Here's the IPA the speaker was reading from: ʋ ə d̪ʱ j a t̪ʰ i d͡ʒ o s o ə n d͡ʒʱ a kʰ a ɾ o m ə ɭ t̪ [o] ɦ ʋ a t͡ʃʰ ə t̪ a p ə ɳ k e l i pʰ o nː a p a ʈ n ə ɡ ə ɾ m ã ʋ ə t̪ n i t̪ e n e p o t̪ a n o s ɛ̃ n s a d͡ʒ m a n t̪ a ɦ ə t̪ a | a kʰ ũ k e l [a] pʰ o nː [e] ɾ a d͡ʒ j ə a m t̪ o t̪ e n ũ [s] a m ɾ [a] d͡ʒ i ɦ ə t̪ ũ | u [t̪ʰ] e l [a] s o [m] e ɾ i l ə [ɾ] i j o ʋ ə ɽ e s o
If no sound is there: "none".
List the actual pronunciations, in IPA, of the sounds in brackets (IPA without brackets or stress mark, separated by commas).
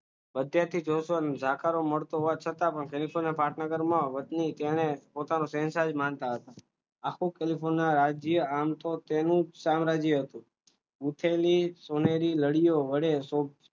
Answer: o, i, a, s, a, t̪ʰ, i, n, ɽ